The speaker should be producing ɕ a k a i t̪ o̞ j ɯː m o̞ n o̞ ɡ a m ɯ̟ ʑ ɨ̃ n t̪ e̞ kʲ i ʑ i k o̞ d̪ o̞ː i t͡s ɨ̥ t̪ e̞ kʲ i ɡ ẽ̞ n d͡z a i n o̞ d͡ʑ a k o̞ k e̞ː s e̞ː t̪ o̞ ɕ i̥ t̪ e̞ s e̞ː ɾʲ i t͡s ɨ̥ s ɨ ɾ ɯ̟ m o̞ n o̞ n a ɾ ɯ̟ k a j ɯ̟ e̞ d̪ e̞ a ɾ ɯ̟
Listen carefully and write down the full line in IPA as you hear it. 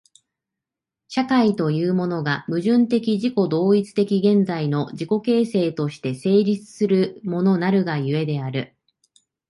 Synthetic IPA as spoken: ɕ a k a i t̪ o̞ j ɯː m o̞ n o̞ ɡ a m ɯ̟ ʑ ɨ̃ n t̪ e̞ kʲ i ʑ i k o̞ d̪ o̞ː i t͡s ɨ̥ t̪ e̞ kʲ i ɡ ẽ̞ n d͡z a i n o̞ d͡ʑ i k o̞ k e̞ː s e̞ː t̪ o̞ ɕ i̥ t̪ e̞ s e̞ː ɾʲ i t͡s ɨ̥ s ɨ ɾ ɯ̟ m o̞ n o̞ n a ɾ ɯ̟ ɡ a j ɯ̟ e̞ d̪ e̞ a ɾ ɯ̟

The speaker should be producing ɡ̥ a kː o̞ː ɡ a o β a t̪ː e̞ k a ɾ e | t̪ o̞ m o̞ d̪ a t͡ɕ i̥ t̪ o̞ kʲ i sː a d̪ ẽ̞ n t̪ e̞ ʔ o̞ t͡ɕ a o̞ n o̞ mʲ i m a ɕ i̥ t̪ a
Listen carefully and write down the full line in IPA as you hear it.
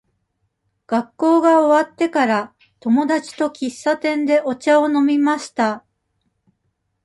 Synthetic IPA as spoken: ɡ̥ a kː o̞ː ɡ a o β a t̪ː e̞ k a ɾ a | t̪ o̞ m o̞ d̪ a t͡ɕ i̥ t̪ o̞ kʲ i sː a t̪ ẽ̞ n d̪ e̞ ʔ o̞ t͡ɕ a o̞ n o̞ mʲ i m a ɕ i̥ t̪ a

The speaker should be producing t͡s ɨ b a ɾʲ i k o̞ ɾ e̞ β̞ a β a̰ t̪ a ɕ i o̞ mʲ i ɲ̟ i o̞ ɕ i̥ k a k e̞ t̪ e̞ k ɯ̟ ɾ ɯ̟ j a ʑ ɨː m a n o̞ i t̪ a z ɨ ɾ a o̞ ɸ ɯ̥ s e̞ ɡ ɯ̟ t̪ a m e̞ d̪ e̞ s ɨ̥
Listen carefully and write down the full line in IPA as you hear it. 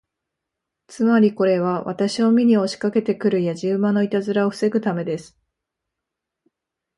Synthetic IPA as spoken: t͡s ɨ m a ɾʲ i k o̞ ɾ e̞ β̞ a β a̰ t̪ a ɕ i o̞ mʲ i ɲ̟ i o̞ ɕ i̥ k a k e̞ t̪ e̞ k ɯ̟ ɾ ɯ̟ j a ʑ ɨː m a n o̞ i t̪ a z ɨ ɾ a o̞ ɸ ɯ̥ s e̞ ɡ ɯ̟ t̪ a m e̞ d̪ e̞ s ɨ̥

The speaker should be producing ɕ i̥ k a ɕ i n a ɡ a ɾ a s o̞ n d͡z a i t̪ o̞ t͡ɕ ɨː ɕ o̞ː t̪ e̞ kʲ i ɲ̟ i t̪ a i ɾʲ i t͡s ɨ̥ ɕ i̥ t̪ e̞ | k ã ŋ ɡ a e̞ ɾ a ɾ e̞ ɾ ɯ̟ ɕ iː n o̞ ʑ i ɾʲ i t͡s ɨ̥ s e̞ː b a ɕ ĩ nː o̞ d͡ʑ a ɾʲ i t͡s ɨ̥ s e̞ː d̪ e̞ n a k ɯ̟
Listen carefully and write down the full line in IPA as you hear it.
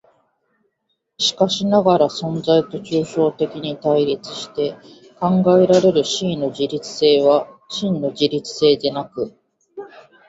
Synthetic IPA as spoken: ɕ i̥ k a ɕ i n a ɡ a ɾ a s õ̞ n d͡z a i t̪ o̞ t͡ɕ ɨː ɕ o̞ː t̪ e̞ kʲ i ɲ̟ i t̪ a i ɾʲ i t͡s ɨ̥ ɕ i̥ t̪ e̞ | k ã ŋ ɡ a e̞ ɾ a ɾ e̞ ɾ ɯ̟ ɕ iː n o̞ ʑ i ɾʲ i t͡s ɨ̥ s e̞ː β a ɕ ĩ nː o̞ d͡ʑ i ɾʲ i t͡s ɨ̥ s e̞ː d̪ e̞ n a k ɯ̟

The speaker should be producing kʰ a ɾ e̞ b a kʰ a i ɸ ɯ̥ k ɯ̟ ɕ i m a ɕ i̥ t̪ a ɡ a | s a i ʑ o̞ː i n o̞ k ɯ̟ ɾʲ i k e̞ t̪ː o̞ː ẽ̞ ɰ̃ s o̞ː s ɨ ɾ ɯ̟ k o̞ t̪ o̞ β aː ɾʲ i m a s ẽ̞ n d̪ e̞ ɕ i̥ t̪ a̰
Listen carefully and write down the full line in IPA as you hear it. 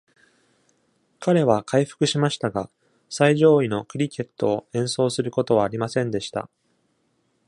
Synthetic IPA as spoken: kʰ a ɾ e̞ β a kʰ a i ɸ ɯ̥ k ɯ̟ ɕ i m a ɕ i̥ t̪ a ɡ a | s a i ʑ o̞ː i n o̞ k ɯ̟ ɾʲ i k e̞ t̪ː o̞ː ẽ̞ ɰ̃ s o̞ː s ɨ ɾ ɯ̟ k o̞ t̪ o̞ β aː ɾʲ i m a s ẽ̞ n d̪ e̞ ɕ i̥ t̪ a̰

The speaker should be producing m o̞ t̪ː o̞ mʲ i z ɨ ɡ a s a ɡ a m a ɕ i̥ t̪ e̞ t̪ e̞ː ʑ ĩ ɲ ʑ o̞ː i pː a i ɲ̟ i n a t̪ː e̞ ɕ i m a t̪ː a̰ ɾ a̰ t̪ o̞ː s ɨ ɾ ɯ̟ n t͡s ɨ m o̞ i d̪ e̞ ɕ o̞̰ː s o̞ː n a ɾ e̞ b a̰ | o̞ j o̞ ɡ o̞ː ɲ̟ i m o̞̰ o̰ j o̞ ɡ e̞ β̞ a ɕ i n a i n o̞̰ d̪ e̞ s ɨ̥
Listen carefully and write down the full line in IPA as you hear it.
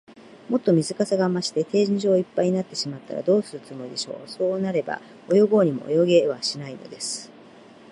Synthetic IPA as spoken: m o̞ t̪ː o̞ mʲ i z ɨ k a s a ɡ a m a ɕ i̥ t̪ e̞ t̪ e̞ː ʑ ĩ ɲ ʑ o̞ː i pː a i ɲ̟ i n a t̪ː e̞ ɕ i m a t̪ː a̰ ɾ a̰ d̪ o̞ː s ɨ ɾ ɯ̟ t͡s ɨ m o̞ i d̪ e̞ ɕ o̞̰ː s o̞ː n a ɾ e̞ b a̰ | o̞ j o̞ ɡ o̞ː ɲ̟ i m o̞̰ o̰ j o̞ ɡ e̞ β̞ a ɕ i n a i n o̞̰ d̪ e̞ s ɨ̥

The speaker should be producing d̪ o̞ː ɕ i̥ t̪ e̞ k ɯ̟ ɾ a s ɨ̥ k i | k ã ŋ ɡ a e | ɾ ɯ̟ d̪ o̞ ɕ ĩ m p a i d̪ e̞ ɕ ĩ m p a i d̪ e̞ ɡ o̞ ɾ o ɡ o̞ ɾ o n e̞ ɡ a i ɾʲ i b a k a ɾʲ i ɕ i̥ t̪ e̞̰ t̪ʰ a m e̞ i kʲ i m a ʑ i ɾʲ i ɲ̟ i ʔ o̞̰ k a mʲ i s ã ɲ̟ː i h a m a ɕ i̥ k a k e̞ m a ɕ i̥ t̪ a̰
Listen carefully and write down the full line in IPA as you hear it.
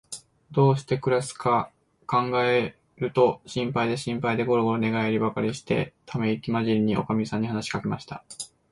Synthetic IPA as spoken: d̪ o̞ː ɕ i̥ t̪ e̞ k ɯ̟ ɾ a s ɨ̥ k a | k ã ŋ ɡ a e | ɾ ɯ̟ t̪ o̞ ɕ ĩ m p a i d̪ e̞ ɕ ĩ m p a i d̪ e̞ ɡ o̞ ɾ o ɡ o̞ ɾ o n e̞ ɡ a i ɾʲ i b a k a ɾʲ i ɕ i̥ t̪ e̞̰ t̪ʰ a m e̞ i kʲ i m a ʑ i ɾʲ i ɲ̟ i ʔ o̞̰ k a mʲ i s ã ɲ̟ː i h a n a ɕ i̥ k a k e̞ m a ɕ i̥ t̪ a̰

